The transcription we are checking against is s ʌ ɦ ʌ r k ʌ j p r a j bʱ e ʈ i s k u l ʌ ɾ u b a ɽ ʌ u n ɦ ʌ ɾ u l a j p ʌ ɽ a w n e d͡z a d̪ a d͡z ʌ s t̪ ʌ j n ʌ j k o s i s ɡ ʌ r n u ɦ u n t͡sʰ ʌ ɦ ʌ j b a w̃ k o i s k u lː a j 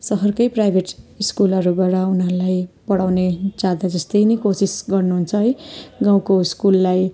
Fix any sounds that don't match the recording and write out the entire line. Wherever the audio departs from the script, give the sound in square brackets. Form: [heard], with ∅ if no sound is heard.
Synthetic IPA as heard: s ʌ ɦ ʌ r k ʌ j p r a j bʱ e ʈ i s k u l ʌ ɾ u b a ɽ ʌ u n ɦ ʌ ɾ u l a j p ʌ ɽ a w n e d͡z a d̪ a d͡z ʌ s t̪ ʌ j n ʌ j k o s i s ɡ ʌ r n u ɦ u n t͡sʰ ʌ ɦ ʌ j [ɡ] a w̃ k o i s k u lː a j